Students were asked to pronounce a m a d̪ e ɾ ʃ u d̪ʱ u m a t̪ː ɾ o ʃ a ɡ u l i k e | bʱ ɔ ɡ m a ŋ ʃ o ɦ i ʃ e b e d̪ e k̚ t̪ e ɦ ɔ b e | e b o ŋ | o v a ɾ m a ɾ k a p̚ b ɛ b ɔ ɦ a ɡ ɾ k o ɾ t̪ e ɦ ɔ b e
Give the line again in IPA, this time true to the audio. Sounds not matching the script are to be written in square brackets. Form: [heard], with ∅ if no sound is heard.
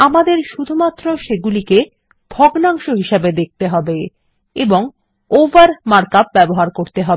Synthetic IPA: a m a d̪ e ɾ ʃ u d̪ʱ u m a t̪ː ɾ o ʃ [e] ɡ u l i k e | bʱ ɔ ɡ [n] a ŋ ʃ o ɦ i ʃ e b e d̪ e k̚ t̪ e ɦ ɔ b e | e b o ŋ | o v a ɾ m a ɾ k a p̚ b ɛ b [o] ɦ a [∅] ɾ k o ɾ t̪ e ɦ ɔ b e